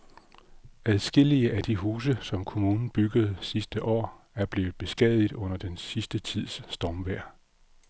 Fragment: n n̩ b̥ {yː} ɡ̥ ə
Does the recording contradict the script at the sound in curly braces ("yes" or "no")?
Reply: yes